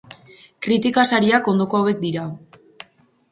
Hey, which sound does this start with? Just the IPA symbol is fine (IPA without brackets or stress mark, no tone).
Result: k